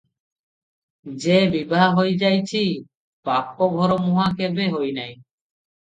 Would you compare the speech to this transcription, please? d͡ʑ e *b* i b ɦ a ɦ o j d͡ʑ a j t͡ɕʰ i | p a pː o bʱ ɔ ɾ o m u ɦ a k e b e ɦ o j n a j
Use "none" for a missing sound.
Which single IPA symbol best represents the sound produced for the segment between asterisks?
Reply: b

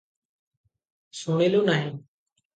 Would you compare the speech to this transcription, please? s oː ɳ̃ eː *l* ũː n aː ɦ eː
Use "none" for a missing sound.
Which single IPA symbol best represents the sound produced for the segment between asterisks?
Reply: l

